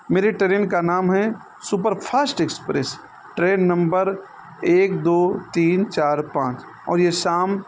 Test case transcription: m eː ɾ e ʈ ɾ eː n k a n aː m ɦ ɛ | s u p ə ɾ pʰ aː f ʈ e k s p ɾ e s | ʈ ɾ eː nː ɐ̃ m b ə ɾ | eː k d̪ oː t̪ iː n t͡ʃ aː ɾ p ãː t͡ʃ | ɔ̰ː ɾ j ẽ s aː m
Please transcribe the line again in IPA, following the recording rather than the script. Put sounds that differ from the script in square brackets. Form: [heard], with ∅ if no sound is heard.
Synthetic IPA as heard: m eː ɾ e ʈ ɾ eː n k a n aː m ɦ ɛ | s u p ə ɾ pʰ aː [s] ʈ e k s p ɾ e s | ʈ ɾ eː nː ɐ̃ m b ə ɾ | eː k d̪ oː t̪ iː n t͡ʃ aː ɾ p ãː t͡ʃ | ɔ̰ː ɾ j [e] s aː m